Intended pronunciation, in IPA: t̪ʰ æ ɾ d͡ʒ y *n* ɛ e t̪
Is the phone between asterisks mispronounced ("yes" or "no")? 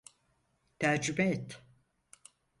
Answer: yes